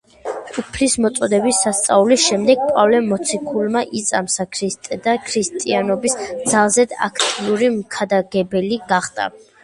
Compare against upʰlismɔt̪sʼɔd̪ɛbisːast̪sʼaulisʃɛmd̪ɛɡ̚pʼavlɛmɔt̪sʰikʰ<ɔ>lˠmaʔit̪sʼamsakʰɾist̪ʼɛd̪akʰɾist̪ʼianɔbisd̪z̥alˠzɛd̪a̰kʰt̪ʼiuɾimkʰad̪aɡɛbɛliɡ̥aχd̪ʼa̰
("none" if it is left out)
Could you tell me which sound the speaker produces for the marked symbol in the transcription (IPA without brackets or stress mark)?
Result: u